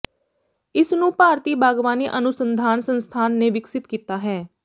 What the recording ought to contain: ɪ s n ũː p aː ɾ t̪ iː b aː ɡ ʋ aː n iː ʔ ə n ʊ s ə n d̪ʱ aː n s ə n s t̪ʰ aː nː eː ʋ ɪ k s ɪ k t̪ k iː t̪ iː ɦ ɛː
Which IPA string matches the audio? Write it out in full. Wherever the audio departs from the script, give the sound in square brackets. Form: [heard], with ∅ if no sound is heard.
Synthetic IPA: ɪ s n ũː p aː ɾ t̪ iː b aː ɡ ʋ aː n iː ʔ ə n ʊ s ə n d̪ʱ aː n s ə n s t̪ʰ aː nː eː ʋ ɪ k s ɪ [∅] t̪ k iː t̪ [aː] ɦ ɛː